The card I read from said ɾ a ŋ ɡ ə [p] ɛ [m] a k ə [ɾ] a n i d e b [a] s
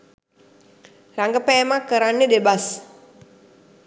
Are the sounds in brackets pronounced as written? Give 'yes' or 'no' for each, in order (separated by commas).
yes, yes, yes, yes